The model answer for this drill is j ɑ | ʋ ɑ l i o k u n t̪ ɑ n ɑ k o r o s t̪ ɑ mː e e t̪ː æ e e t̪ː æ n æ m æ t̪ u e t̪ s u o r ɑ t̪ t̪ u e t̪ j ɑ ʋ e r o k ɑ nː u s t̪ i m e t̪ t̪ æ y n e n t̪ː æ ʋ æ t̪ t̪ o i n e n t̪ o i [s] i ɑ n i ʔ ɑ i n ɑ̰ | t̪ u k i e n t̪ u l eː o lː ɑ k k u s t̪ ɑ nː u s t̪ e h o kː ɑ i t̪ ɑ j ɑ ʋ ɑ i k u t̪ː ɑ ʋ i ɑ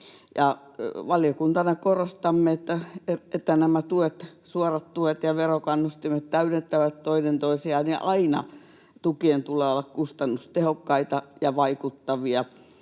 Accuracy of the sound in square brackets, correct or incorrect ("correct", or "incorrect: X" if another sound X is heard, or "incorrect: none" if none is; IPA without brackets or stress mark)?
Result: correct